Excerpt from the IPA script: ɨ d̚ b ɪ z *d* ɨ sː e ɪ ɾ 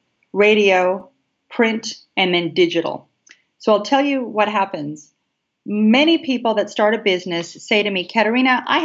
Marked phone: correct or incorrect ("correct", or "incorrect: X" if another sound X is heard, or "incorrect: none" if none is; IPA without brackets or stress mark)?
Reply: incorrect: n